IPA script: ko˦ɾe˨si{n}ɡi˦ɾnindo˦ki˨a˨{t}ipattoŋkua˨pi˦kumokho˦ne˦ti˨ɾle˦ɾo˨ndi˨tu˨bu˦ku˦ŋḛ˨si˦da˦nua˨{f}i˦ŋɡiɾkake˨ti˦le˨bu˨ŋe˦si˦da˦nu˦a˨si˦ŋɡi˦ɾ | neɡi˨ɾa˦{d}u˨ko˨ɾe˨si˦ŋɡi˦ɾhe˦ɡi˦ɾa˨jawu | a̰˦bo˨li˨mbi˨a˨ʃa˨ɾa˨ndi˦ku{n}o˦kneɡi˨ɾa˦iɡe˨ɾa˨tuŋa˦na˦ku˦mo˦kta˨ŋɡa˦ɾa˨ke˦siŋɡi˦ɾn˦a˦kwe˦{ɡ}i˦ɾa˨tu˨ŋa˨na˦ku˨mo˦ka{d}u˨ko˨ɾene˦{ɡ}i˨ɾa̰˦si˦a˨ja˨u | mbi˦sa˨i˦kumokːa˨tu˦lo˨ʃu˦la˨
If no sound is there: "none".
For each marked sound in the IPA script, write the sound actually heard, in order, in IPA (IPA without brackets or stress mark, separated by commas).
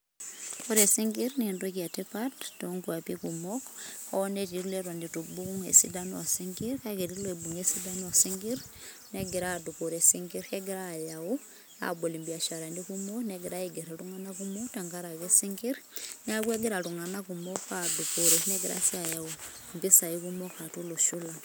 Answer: ŋ, t, s, d, m, ɡ, d, ɡ